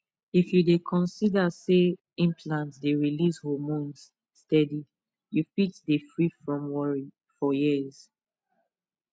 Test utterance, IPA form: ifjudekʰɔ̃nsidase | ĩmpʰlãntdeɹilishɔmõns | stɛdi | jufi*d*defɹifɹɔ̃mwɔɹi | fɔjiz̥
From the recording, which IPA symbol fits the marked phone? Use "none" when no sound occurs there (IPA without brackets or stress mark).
t